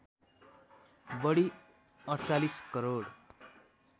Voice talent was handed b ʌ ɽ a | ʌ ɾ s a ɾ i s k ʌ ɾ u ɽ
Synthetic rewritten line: b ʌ ɽ i | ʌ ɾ t͡s a l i s k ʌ ɾ o ɽ